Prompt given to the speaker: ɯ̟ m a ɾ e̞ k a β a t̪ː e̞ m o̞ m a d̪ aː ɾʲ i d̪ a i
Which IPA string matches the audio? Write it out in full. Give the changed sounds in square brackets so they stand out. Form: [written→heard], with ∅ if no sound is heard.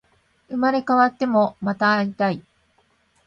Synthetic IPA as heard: ɯ̟ m a ɾ e̞ k a β a t̪ː e̞ m o̞ m a [d̪→t̪] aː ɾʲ i [d̪→t̪] a i